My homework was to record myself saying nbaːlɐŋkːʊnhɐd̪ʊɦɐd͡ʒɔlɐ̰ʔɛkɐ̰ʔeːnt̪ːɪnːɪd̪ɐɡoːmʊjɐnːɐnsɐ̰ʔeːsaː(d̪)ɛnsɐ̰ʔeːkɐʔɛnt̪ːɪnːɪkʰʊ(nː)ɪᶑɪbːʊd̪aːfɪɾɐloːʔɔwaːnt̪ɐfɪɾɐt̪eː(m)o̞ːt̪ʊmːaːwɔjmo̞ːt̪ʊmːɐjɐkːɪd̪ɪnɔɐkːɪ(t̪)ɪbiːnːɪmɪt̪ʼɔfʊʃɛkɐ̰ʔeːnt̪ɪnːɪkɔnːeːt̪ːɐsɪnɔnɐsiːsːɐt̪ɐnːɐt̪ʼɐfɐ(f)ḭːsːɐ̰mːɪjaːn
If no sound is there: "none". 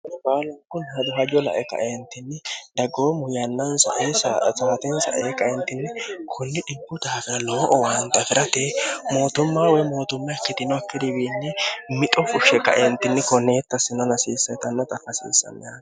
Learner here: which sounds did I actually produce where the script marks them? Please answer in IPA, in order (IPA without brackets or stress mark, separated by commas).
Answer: t̪, nː, m, d̪, s